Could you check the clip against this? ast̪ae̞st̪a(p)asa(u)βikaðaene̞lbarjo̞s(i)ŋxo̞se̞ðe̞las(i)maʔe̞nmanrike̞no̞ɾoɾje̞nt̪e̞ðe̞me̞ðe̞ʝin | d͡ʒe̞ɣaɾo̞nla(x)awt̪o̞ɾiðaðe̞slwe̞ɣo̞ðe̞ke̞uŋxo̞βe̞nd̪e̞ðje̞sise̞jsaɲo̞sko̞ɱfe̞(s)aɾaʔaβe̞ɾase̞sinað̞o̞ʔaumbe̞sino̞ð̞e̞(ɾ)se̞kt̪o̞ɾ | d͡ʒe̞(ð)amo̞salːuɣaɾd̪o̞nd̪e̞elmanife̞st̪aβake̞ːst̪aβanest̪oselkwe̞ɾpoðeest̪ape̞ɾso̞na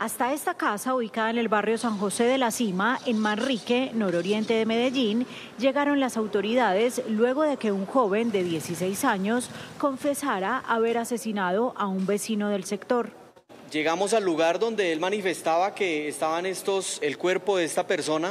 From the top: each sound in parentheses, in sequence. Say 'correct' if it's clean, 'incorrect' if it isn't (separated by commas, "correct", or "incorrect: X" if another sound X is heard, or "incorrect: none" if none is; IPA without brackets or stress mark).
incorrect: k, correct, incorrect: a, correct, incorrect: s, correct, incorrect: l, incorrect: ɣ